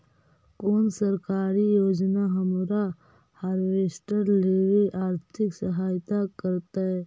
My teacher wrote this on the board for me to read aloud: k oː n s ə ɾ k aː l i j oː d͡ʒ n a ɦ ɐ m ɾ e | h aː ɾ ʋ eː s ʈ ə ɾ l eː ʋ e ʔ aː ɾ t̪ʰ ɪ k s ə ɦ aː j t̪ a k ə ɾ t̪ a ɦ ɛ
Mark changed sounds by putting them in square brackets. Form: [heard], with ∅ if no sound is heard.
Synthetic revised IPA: k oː n s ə ɾ k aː [ɾ] i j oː d͡ʒ n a ɦ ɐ m ɾ [a] | h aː ɾ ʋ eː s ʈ ə ɾ l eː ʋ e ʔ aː ɾ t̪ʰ ɪ k s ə ɦ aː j t̪ a k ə ɾ t̪ a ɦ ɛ

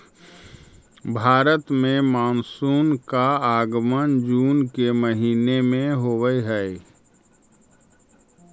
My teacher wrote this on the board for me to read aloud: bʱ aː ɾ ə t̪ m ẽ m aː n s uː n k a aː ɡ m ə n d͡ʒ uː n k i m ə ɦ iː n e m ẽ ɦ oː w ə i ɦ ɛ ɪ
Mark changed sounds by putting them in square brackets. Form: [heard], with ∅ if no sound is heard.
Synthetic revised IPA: bʱ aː ɾ ə t̪ m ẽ m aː n s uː n k a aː ɡ m ə n d͡ʒ uː n k [e] m ə ɦ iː n e m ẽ ɦ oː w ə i ɦ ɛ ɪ

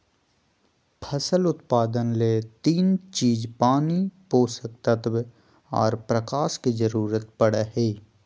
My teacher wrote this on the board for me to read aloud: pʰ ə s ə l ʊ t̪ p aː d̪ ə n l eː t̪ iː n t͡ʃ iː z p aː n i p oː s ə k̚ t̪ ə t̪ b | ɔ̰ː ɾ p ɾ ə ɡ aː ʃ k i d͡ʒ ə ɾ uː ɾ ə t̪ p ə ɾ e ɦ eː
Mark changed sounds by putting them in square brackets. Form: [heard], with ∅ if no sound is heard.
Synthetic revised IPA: pʰ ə s ə l ʊ t̪ p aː d̪ ə n l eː t̪ iː n t͡ʃ iː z p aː n i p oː s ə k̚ t̪ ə t̪ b | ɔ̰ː ɾ p ɾ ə [k] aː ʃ k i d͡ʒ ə ɾ uː ɾ ə t̪ p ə [ɽ] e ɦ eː

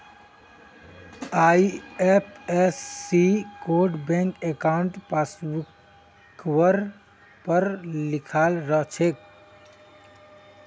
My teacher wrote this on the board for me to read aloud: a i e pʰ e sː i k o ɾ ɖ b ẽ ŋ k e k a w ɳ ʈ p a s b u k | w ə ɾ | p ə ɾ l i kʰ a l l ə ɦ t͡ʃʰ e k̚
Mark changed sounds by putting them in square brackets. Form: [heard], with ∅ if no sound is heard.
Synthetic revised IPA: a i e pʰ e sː i k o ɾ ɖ b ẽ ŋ k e k a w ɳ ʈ p a s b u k | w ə ɾ | p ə ɾ l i kʰ a l [ɾ] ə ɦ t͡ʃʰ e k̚

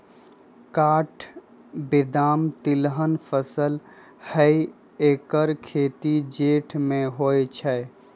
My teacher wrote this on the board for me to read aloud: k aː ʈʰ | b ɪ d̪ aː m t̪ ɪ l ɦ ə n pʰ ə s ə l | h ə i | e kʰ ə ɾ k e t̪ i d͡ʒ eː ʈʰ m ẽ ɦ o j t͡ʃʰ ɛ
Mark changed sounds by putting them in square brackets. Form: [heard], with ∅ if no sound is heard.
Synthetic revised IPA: k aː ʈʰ | b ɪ d̪ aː m t̪ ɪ l ɦ ə n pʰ ə s ə l | h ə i | e [k] ə ɾ [kʰ] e t̪ i d͡ʒ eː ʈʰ m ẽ ɦ o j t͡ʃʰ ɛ

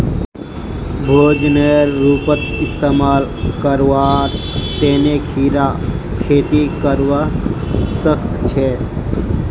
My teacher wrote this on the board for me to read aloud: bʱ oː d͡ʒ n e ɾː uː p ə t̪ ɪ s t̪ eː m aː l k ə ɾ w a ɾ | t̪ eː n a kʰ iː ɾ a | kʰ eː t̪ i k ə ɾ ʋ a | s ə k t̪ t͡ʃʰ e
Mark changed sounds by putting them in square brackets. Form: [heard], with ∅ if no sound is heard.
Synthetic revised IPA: bʱ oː d͡ʒ n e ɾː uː p ə t̪ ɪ s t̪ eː m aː l k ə ɾ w a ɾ | t̪ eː n [e] kʰ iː ɾ a | kʰ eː t̪ i k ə ɾ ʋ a | s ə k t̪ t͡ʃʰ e

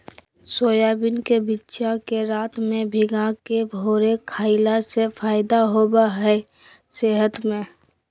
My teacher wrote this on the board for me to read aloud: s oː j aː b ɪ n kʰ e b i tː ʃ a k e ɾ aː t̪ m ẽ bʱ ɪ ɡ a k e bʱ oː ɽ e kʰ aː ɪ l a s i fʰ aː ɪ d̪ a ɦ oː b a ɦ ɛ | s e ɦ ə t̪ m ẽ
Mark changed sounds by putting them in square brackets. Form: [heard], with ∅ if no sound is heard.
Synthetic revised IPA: s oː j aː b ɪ n [k] e b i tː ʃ a k e ɾ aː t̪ m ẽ bʱ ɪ ɡ a k e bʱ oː [ɾ] e kʰ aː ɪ l a s [e] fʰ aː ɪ d̪ a ɦ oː b a ɦ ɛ | s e ɦ ə t̪ m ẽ

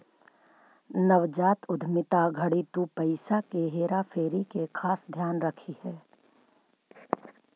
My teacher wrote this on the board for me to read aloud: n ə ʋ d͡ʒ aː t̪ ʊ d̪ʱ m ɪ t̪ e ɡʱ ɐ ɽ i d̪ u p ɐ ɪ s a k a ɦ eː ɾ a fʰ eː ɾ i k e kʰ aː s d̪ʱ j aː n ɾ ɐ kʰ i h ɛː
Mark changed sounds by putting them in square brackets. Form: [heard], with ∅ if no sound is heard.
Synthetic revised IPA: n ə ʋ d͡ʒ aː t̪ ʊ d̪ʱ m ɪ t̪ [a] ɡʱ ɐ ɽ i [t̪] u p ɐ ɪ s a k [e] ɦ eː ɾ a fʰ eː ɾ i k e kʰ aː s d̪ʱ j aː n ɾ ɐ kʰ i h ɛː

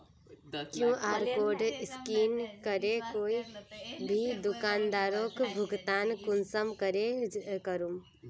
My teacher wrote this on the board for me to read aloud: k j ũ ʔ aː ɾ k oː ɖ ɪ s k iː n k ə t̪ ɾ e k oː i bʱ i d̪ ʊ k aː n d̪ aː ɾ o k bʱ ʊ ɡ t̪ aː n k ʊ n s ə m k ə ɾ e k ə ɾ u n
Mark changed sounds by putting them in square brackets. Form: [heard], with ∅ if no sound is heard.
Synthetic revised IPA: k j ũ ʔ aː ɾ k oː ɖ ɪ s k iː n k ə [∅] ɾ e k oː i bʱ i d̪ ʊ k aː n d̪ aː ɾ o k bʱ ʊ ɡ t̪ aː n k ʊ n s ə m k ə ɾ e k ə ɾ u [m]

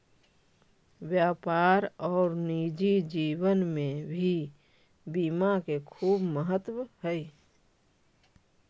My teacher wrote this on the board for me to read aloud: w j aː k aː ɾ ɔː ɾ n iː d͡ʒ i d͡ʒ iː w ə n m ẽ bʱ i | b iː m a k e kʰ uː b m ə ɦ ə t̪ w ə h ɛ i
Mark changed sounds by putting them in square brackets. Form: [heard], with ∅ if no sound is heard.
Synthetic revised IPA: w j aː [p] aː ɾ ɔː ɾ n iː d͡ʒ i d͡ʒ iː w ə n m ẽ bʱ i | b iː m a k e kʰ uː b m ə ɦ ə t̪ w ə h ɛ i

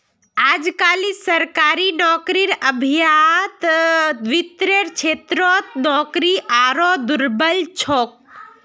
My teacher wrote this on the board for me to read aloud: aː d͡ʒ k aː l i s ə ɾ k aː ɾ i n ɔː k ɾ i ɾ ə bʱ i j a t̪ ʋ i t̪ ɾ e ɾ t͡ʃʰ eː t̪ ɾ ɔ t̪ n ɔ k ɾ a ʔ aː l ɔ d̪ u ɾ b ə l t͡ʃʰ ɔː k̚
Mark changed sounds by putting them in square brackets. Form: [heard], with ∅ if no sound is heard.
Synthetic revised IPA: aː d͡ʒ k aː l i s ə ɾ k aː ɾ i n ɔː k ɾ i ɾ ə bʱ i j a t̪ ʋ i t̪ ɾ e ɾ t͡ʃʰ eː t̪ ɾ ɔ t̪ n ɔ k ɾ [i] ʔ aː [ɾ] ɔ d̪ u ɾ b ə l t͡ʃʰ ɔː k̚

